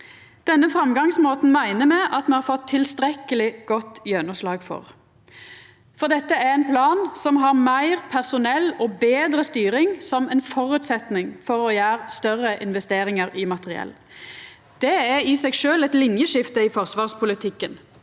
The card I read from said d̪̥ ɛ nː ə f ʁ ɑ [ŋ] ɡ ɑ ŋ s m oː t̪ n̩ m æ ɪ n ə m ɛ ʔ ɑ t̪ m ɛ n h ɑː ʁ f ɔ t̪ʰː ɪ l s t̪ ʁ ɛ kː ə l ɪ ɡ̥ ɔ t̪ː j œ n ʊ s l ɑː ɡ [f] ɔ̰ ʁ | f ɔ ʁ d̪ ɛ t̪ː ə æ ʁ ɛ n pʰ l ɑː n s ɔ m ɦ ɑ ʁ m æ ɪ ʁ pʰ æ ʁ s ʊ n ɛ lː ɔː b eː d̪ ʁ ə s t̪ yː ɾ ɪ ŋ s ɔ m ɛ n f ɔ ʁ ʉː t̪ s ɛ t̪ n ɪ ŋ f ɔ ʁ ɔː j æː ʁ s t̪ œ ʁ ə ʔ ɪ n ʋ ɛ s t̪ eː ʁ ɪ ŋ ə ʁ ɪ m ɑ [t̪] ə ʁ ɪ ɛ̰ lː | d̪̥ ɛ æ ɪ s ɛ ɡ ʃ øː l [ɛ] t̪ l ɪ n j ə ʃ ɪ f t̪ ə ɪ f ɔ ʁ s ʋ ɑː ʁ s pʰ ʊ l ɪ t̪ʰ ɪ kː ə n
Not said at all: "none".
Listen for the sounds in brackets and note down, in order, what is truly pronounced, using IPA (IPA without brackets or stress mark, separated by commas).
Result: m, f, t̪, ɛ